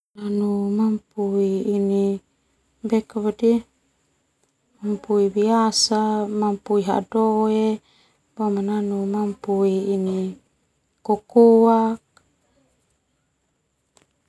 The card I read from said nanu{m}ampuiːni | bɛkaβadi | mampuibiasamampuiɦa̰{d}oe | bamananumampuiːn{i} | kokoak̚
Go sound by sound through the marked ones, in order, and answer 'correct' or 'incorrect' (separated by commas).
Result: correct, correct, correct